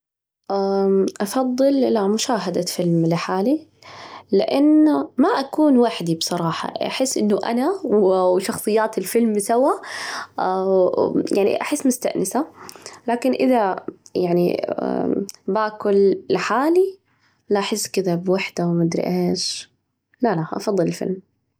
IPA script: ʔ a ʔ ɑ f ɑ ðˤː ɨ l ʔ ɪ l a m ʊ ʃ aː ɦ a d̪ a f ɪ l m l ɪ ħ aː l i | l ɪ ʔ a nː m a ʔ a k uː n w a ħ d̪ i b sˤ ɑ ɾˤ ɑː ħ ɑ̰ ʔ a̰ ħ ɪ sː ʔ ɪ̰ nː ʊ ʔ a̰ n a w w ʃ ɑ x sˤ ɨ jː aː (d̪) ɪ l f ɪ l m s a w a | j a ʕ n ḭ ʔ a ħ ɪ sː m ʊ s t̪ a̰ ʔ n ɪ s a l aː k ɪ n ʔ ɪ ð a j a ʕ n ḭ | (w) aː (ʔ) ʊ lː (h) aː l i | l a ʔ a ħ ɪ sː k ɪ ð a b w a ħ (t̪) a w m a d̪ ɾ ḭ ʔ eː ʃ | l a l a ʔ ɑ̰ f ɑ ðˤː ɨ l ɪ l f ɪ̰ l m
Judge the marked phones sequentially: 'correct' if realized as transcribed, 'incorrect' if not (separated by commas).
incorrect, incorrect, incorrect, incorrect, incorrect